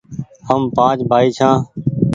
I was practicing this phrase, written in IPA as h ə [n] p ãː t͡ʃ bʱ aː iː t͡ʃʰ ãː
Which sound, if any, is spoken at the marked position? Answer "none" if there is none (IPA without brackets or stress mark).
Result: m